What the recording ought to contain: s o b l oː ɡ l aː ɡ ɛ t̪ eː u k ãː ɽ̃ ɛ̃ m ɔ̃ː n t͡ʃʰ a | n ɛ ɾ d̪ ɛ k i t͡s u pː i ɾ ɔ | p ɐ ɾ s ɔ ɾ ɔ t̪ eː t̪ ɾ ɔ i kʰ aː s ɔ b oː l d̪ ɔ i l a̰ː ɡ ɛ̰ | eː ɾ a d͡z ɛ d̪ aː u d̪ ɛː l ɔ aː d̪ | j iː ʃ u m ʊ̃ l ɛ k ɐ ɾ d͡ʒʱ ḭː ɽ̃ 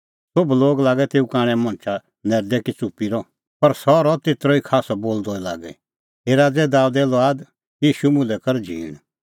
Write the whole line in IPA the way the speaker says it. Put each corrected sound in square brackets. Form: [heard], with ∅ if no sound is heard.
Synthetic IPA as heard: s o b l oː ɡ l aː ɡ ɛ t̪ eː u k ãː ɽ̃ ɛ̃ m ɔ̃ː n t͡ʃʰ a | n ɛ ɾ d̪ ɛ k i t͡s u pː i ɾ ɔ | p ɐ ɾ s ɔ ɾ ɔ t̪ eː t̪ ɾ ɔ i kʰ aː s ɔ b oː l d̪ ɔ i l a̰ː ɡ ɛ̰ | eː ɾ a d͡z ɛ d̪ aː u d̪ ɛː l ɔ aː d̪ | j iː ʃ u m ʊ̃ l ɛ k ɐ ɾ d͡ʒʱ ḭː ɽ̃